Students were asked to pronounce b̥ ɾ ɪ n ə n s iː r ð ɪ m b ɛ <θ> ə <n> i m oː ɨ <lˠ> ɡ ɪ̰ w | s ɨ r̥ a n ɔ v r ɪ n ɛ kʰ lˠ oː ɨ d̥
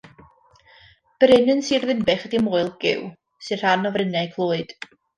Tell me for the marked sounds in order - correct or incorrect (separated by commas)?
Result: incorrect, incorrect, correct